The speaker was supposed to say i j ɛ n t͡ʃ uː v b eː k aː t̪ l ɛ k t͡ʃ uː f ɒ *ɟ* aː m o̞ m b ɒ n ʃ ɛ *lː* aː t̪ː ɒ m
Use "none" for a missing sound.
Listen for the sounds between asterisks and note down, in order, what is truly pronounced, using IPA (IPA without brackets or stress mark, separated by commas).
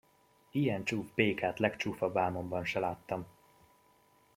b, l